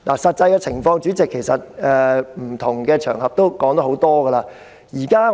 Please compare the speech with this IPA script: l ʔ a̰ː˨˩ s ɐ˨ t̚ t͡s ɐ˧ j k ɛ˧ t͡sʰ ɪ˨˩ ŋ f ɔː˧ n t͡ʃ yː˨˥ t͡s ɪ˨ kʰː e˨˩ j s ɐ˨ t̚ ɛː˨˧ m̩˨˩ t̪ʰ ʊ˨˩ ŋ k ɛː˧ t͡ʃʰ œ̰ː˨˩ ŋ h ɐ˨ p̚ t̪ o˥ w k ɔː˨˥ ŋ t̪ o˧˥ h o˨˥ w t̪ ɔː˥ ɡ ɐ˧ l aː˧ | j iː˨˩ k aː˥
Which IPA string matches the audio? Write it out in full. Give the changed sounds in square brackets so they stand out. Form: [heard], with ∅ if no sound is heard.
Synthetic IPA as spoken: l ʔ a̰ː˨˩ s ɐ˨ t̚ t͡s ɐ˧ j k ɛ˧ t͡sʰ ɪ˨˩ ŋ f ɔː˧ [ŋ] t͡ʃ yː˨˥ t͡s ɪ˨ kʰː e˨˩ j s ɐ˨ t̚ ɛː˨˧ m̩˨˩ t̪ʰ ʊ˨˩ ŋ k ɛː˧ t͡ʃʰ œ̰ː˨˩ ŋ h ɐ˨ p̚ t̪ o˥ w k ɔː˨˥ ŋ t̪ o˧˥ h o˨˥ w t̪ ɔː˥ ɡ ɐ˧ l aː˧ | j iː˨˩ k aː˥